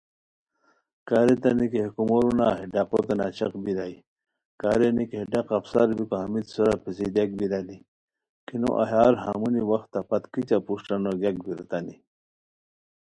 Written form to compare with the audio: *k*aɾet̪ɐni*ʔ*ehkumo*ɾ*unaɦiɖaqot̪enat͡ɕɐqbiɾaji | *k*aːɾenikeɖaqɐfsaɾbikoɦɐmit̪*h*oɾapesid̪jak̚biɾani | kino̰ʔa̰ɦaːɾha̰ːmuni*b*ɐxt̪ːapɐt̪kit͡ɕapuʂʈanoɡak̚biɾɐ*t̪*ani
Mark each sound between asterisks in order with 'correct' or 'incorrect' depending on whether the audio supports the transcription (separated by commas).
correct, incorrect, correct, correct, incorrect, incorrect, correct